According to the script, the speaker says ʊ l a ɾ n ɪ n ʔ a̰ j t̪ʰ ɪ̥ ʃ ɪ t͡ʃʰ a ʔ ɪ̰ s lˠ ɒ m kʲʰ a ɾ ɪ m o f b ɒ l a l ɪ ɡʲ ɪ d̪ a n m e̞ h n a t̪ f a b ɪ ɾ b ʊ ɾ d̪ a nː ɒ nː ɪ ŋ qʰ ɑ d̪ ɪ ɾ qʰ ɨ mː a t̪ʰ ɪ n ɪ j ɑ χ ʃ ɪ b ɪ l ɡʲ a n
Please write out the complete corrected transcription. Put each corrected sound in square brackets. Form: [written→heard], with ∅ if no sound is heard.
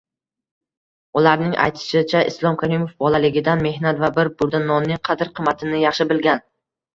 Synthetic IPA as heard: ʊ l a ɾ n ɪ [n→ŋ] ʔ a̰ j t̪ʰ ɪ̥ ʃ ɪ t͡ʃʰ a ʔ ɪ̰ s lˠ ɒ m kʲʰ a ɾ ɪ m o f b ɒ l a l ɪ ɡʲ ɪ d̪ a n m e̞ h n a t̪ [f→v] a b ɪ ɾ b ʊ ɾ d̪ a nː ɒ nː ɪ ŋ qʰ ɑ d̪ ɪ ɾ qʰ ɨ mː a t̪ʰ ɪ n ɪ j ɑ χ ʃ ɪ b ɪ l ɡʲ a n

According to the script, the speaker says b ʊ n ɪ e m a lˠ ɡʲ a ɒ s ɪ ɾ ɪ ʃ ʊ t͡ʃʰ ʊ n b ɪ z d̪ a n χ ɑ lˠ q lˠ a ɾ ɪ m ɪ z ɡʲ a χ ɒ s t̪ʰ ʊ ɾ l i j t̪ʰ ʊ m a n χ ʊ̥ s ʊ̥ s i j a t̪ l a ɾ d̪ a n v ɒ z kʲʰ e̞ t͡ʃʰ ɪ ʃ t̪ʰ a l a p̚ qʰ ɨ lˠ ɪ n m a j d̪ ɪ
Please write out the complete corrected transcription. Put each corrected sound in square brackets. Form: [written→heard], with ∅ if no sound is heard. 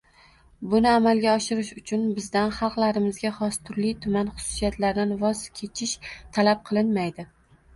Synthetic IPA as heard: b ʊ n ɪ [e→a] m a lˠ ɡʲ a ɒ [s→ʃ] ɪ ɾ ɪ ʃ ʊ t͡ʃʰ ʊ n b ɪ z d̪ a n χ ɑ lˠ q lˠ a ɾ ɪ m ɪ z ɡʲ a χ ɒ s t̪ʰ ʊ ɾ l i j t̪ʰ ʊ m a n χ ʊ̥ s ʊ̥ s i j a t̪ l a ɾ d̪ a n v ɒ z kʲʰ e̞ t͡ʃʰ ɪ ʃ t̪ʰ a l a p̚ qʰ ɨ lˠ ɪ n m a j d̪ ɪ

